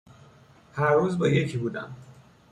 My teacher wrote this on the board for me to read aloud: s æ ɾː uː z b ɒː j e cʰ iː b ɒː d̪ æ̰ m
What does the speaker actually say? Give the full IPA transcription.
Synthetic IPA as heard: h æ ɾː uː z b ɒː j e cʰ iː b uː d̪ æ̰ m